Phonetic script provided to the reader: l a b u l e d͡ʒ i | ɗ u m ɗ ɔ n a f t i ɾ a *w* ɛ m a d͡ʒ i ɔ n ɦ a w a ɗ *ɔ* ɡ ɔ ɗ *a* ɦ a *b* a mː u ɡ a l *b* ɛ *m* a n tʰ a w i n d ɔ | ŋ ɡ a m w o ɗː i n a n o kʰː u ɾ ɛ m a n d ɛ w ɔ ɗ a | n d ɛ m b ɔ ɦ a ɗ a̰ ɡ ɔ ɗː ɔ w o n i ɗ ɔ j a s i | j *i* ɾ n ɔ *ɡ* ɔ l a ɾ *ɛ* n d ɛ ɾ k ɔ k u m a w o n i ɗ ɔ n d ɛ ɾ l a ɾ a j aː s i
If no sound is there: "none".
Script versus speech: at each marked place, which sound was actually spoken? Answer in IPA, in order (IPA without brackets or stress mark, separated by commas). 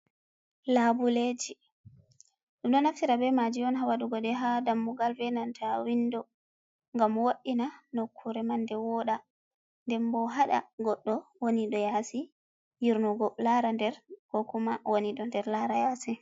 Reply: b, u, ɛ, d, v, n, i, ɡ, a